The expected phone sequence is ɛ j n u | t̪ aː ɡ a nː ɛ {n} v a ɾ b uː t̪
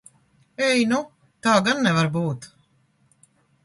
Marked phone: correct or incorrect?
incorrect